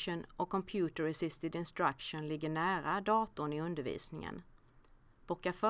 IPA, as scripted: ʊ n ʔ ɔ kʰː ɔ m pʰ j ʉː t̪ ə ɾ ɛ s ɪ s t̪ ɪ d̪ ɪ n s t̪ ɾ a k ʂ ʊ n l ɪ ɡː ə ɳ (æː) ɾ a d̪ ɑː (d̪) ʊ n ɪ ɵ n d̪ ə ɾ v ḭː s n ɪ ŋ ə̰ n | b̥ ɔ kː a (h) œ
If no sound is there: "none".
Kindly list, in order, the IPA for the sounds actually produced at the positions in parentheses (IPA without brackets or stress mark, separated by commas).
æː, t̪, f